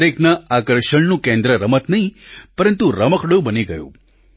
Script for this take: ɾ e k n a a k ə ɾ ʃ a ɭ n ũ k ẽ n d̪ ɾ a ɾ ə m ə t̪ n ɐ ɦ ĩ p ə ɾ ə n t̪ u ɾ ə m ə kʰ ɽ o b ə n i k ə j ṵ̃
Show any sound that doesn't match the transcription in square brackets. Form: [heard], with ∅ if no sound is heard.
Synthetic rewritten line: ɾ e k n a a k ə ɾ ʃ [ə] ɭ n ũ k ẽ n d̪ ɾ [ə] ɾ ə m ə t̪ n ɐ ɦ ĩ p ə ɾ ə n t̪ u ɾ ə m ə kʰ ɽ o b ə n i [ɡ] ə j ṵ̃